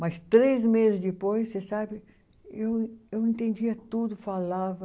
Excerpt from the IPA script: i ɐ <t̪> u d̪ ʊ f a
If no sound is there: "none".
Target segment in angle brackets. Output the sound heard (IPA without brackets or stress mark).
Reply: t̪